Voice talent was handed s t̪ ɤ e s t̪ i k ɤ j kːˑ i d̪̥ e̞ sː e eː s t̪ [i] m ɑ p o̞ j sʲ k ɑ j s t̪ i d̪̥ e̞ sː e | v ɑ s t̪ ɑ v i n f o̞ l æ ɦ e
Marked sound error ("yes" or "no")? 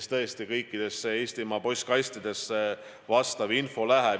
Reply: no